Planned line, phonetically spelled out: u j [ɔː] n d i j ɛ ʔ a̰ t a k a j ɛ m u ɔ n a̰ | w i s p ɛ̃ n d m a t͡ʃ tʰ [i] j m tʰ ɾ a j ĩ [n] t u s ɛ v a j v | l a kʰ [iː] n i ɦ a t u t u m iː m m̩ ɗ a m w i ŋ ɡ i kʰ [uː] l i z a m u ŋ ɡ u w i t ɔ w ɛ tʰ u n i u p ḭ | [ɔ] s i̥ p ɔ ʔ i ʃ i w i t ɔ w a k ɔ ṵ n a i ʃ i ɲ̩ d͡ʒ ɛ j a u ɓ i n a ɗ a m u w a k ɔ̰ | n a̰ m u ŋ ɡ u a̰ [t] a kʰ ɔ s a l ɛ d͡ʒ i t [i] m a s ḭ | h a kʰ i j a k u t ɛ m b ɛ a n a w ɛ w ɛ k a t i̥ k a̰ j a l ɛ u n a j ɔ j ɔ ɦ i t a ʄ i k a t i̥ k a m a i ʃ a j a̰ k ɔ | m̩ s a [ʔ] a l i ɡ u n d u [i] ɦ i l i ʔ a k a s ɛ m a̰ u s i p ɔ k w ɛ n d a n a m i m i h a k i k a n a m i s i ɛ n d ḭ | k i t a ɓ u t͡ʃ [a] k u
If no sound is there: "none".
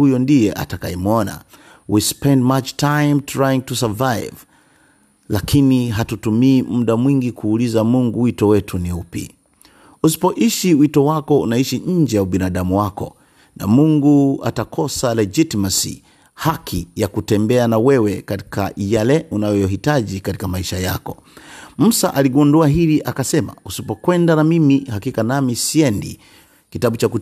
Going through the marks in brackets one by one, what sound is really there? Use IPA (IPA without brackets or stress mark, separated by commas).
ɔ, a, ŋ, i, uː, u, t, i, ʔ, a, a